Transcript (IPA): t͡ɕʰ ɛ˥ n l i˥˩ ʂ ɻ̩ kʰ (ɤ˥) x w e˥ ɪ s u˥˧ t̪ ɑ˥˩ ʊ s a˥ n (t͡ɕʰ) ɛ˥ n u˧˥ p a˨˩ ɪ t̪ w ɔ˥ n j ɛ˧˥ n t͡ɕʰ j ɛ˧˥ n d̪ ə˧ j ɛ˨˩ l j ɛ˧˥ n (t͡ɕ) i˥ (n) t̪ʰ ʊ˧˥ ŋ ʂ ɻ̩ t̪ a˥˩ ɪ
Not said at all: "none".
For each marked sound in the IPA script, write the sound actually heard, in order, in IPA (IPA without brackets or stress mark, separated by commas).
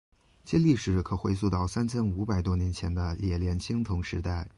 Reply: ɤ˨˩, t͡ɕʰ, t͡ɕʰ, ŋ